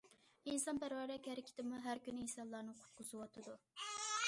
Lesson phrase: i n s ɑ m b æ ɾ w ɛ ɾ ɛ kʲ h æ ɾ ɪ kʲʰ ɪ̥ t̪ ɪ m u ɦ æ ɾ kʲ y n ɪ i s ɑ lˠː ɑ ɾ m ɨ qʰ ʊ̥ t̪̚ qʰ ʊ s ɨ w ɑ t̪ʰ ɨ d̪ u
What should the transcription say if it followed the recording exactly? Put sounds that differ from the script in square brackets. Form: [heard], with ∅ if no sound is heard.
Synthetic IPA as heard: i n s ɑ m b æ ɾ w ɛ ɾ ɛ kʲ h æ ɾ ɪ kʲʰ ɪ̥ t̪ ɪ m u ɦ æ ɾ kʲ y n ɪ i s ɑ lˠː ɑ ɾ [n] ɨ qʰ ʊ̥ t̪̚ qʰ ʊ [z] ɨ w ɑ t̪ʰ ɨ d̪ u

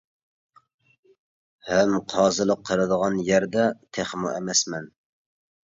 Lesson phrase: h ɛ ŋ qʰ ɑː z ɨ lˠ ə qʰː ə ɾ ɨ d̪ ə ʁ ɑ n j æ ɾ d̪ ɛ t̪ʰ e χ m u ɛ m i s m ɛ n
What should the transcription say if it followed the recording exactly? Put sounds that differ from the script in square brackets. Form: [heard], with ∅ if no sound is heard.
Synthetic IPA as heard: h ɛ [m] qʰ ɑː z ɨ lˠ ə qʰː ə ɾ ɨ d̪ ə ʁ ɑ n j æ ɾ d̪ ɛ t̪ʰ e χ m u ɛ m [ɛ] s m ɛ n

